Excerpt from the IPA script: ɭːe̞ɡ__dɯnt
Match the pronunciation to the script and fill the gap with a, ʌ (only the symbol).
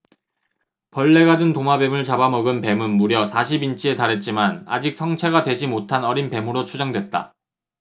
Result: a